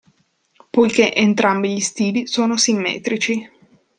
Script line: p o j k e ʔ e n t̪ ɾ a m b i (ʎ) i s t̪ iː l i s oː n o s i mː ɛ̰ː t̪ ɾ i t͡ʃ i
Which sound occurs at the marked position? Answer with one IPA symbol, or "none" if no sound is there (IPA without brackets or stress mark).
ʎ